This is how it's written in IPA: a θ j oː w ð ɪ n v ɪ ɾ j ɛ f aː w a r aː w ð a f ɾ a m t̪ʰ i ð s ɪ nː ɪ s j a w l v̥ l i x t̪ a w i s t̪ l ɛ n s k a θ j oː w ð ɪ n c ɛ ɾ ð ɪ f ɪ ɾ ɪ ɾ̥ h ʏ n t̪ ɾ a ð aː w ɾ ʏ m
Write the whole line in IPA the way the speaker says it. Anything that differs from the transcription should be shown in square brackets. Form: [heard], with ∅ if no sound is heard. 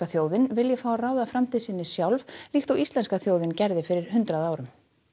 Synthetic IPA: a θ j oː w ð ɪ n v ɪ [l] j ɛ f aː w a r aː w ð a f ɾ a m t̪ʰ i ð s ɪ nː ɪ s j a w l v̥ l i x t̪ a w i s t̪ l ɛ n s k a θ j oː w ð ɪ n c ɛ ɾ ð ɪ f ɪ ɾ ɪ ɾ̥ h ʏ n t̪ ɾ a ð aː w ɾ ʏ m